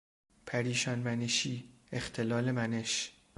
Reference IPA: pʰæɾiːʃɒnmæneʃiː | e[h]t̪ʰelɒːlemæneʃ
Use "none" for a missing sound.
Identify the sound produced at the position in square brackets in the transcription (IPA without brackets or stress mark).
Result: x